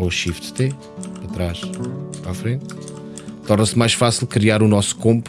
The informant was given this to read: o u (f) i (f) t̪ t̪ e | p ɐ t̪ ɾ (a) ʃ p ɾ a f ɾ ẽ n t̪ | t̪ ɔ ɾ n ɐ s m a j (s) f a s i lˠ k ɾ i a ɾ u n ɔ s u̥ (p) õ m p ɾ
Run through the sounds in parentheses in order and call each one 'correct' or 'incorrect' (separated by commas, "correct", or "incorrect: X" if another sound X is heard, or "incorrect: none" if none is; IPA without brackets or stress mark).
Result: incorrect: ʃ, correct, correct, incorrect: ʃ, incorrect: k